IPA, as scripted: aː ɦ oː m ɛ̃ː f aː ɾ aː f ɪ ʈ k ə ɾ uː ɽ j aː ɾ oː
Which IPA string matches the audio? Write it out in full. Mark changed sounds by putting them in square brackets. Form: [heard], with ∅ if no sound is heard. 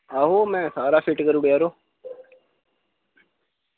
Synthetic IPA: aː ɦ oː m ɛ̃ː [s] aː ɾ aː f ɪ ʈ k ə ɾ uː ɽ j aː ɾ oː